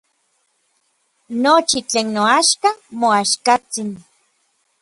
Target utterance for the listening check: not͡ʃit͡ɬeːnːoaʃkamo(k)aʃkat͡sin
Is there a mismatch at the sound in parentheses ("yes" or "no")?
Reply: yes